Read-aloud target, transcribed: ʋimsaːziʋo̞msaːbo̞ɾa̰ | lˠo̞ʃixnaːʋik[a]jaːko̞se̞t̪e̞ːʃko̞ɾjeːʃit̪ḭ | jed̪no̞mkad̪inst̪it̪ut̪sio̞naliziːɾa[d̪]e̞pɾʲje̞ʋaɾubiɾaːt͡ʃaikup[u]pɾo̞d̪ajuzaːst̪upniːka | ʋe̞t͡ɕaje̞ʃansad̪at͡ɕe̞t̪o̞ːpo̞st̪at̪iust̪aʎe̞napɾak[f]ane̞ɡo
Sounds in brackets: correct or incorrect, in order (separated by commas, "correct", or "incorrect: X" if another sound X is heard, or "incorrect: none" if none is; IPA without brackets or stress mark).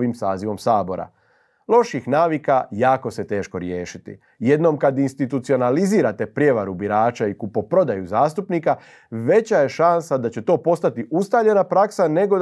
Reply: correct, incorrect: t̪, incorrect: o, incorrect: s